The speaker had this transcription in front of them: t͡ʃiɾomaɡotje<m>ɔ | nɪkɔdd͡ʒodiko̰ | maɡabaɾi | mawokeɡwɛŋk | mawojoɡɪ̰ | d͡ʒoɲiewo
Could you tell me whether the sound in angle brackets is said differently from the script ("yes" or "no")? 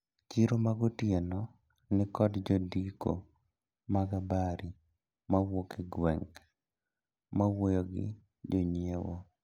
yes